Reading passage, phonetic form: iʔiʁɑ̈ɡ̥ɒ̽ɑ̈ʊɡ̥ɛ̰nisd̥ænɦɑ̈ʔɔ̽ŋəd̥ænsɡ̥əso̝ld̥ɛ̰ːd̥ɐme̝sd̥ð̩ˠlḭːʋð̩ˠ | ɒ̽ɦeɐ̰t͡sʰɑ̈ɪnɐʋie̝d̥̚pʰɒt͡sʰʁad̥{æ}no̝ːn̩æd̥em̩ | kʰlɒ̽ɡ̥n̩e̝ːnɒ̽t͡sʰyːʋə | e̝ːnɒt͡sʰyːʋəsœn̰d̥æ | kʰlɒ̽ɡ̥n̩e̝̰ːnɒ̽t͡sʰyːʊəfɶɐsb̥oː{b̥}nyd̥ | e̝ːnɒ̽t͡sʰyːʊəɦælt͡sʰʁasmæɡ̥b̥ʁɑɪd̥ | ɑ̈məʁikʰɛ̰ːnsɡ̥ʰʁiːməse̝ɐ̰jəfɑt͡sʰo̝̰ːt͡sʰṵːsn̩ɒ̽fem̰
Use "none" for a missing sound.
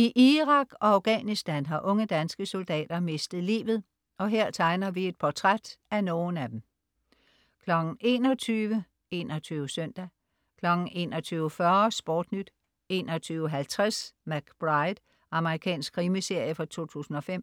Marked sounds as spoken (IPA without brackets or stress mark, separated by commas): æ, d̥